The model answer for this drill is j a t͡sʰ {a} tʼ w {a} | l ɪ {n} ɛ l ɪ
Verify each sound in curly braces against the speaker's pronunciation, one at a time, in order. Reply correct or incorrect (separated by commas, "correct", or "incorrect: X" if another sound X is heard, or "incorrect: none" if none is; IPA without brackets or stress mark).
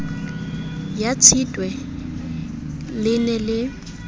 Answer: incorrect: i, incorrect: ɛ, correct